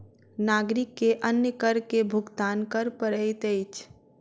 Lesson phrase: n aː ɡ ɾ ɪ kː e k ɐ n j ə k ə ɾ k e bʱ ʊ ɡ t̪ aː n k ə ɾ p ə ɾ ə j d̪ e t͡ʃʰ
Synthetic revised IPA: n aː ɡ ɾ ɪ kː e ʔ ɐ n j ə k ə ɾ k e bʱ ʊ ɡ t̪ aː n k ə ɾ p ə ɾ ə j t̪ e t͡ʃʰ